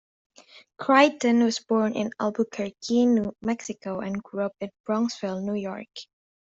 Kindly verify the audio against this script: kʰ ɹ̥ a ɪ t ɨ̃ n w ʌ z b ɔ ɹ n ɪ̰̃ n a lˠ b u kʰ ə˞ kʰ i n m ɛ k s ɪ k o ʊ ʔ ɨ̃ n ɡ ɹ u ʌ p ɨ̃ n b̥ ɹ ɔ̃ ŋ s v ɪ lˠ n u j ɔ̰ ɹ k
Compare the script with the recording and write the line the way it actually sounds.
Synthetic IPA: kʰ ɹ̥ a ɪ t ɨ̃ n w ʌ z b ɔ ɹ n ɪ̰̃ n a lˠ b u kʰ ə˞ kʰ i n m ɛ k s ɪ k o ʊ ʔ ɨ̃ n ɡ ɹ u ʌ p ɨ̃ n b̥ ɹ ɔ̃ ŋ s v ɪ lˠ n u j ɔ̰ ɹ k